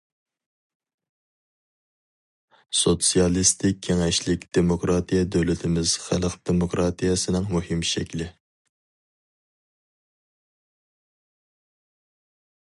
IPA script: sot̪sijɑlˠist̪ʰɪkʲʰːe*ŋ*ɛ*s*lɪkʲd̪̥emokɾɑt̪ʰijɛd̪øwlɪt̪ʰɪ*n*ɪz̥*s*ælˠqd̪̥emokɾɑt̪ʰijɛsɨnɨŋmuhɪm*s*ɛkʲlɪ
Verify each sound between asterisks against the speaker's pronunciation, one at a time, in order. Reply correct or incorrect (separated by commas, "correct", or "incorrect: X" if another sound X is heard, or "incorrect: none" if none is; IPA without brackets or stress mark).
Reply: correct, incorrect: ʃ, incorrect: m, incorrect: χ, incorrect: ʃ